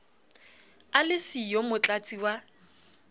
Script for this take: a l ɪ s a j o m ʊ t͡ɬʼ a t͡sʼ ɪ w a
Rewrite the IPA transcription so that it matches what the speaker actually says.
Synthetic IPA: a l ɪ s i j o m ʊ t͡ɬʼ a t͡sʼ i w a